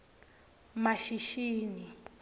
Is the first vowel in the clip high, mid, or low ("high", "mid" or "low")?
low